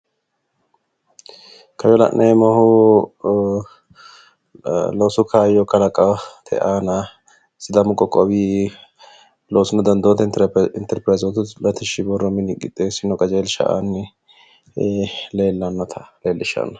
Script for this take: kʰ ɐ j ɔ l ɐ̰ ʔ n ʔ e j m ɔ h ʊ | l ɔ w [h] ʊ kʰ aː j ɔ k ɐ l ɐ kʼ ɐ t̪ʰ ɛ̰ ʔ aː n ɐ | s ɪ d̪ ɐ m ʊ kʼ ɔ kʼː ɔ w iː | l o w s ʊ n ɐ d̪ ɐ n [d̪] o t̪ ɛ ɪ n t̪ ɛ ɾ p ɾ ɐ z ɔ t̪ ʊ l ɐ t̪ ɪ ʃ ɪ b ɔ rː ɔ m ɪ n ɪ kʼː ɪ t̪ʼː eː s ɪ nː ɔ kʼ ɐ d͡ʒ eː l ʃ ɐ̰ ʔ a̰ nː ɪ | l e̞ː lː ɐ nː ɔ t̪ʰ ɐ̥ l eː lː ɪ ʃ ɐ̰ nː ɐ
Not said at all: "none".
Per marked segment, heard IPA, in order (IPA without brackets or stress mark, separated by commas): s, d̪